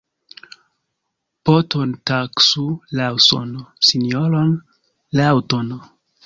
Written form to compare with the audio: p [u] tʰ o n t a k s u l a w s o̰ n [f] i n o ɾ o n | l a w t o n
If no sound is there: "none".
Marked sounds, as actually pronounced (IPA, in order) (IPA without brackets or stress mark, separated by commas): o, s